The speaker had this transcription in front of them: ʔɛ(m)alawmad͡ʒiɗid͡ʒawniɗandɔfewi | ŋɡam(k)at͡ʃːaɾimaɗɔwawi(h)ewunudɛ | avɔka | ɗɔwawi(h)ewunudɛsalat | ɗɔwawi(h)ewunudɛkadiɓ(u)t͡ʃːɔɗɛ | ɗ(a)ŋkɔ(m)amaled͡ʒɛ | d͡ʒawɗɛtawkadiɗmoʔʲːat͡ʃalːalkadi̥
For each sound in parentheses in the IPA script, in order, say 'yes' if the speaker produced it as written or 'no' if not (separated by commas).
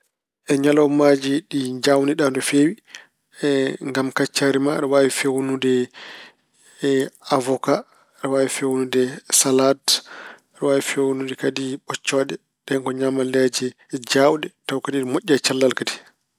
no, yes, no, no, no, no, no, no